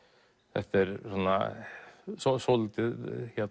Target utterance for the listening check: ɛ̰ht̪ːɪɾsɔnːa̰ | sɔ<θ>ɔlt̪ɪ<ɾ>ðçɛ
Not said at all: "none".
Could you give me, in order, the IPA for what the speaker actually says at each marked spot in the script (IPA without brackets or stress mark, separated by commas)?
s, none